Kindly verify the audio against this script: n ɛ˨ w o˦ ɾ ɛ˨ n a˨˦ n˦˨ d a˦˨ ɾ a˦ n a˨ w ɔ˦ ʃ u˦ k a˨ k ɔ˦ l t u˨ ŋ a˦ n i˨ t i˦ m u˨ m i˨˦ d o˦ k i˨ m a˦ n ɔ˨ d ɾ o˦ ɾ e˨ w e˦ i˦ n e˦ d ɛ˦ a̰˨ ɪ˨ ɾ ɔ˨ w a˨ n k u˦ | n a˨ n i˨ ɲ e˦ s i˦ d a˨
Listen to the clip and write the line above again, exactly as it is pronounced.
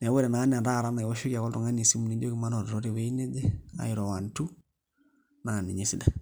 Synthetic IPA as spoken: n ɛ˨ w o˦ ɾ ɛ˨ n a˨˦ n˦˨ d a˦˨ ɾ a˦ n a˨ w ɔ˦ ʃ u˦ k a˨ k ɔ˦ l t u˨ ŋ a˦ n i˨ s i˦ m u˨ n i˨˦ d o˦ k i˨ m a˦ n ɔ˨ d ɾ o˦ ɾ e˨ w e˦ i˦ n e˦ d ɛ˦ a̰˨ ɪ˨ ɾ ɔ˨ w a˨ n t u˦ | n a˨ n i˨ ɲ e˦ s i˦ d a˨